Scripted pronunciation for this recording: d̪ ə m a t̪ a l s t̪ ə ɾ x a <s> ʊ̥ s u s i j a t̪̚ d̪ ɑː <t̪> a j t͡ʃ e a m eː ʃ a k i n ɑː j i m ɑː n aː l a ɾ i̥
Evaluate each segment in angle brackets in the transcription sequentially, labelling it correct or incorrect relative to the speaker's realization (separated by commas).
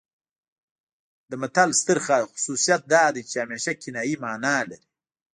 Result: incorrect, incorrect